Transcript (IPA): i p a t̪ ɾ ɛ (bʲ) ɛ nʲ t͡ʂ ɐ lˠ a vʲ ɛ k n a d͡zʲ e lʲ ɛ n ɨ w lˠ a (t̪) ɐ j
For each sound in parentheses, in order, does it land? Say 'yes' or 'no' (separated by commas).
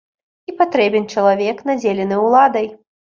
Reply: yes, no